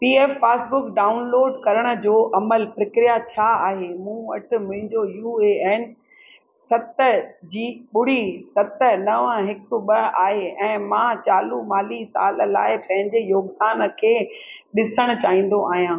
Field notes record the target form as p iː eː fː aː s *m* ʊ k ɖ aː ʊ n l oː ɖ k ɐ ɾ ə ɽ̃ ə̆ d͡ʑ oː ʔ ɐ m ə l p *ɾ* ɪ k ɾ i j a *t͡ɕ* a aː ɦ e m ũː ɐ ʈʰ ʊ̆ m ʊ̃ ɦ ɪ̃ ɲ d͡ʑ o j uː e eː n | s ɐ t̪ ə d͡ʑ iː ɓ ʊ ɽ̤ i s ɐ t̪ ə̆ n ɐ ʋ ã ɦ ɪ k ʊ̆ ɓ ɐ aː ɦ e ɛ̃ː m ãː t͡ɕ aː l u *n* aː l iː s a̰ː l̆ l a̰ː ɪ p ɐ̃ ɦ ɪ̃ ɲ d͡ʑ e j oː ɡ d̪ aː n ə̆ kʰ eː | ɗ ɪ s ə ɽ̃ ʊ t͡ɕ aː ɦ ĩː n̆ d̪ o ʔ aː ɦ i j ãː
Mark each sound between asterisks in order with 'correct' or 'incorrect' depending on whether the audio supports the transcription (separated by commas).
incorrect, correct, incorrect, incorrect